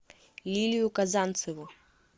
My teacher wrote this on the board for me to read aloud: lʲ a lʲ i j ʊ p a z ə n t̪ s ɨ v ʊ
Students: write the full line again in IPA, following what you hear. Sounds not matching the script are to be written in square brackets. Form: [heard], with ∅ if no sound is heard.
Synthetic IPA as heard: lʲ [i] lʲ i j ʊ [k] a z [a] n t̪ s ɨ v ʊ